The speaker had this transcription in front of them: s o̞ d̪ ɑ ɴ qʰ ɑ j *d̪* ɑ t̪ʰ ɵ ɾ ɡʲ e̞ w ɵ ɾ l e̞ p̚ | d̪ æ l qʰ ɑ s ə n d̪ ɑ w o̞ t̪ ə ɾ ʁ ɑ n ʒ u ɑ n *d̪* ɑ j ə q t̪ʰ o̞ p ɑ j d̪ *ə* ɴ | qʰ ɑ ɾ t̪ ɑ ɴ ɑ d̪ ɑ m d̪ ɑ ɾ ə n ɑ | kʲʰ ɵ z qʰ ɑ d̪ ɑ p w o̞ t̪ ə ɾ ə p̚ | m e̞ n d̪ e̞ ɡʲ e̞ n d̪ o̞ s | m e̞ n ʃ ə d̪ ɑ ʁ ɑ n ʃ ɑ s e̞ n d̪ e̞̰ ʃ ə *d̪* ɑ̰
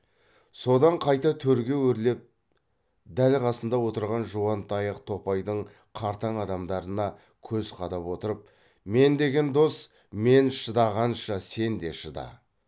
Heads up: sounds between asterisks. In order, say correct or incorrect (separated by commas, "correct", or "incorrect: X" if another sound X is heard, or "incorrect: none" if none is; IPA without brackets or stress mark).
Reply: incorrect: t̪, incorrect: t̪, correct, correct